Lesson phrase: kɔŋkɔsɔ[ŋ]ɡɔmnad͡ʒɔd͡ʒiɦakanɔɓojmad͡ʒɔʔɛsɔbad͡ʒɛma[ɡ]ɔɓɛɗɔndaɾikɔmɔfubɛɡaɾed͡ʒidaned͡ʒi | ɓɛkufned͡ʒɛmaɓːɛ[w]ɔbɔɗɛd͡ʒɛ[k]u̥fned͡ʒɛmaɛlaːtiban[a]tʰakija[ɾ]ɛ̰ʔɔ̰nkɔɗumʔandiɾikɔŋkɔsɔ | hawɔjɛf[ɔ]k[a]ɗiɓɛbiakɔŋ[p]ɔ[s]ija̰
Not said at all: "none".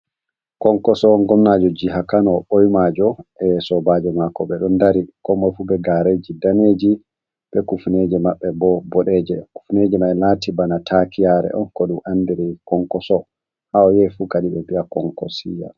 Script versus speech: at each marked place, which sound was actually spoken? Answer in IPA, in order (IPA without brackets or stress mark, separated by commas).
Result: ŋ, k, b, k, a, ɾ, u, a, k, s